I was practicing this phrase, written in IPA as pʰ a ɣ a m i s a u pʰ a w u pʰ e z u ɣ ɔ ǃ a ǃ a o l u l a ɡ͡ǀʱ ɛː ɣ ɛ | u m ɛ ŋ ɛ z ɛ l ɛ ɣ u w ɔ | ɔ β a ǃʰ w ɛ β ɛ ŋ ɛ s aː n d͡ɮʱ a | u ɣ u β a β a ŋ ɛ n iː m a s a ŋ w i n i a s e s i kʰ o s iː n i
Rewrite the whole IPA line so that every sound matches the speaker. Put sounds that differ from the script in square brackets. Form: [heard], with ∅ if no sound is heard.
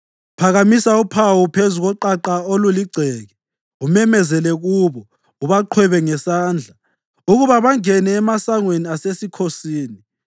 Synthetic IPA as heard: pʰ a ɣ a m i s a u pʰ a w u pʰ e z u ɣ ɔ ǃ a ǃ a o l u l [i] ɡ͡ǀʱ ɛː ɣ ɛ | u m ɛ [m] ɛ z ɛ l ɛ ɣ u [β] ɔ | [u] β a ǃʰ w ɛ β ɛ ŋ ɛ s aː n d͡ɮʱ a | u ɣ u β a β a ŋ ɛ n [ɛː] m a s a ŋ w [e] n i a s e s i kʰ o s iː n i